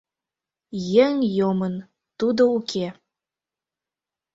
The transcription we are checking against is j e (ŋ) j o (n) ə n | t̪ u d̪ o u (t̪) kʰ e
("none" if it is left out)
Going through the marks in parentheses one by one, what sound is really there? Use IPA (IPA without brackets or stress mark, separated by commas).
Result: ŋ, m, none